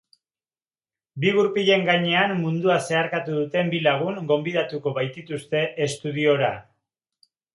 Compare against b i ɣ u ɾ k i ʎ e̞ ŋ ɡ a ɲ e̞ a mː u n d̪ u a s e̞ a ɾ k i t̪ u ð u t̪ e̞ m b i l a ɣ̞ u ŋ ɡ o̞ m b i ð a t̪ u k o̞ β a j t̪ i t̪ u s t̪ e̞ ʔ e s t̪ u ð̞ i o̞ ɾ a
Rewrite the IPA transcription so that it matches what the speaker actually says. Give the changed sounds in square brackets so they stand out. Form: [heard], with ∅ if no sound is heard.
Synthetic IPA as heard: b i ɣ u ɾ [p] i ʎ e̞ ŋ ɡ a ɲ e̞ a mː u n d̪ u a s e̞ a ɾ k [a] t̪ u ð u t̪ e̞ m b i l a ɣ̞ u ŋ ɡ o̞ m b i ð a t̪ u k o̞ β a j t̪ i t̪ u s t̪ e̞ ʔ e s t̪ u ð̞ i o̞ ɾ a